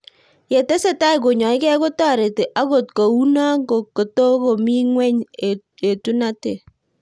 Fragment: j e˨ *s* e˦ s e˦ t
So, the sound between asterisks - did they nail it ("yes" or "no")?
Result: no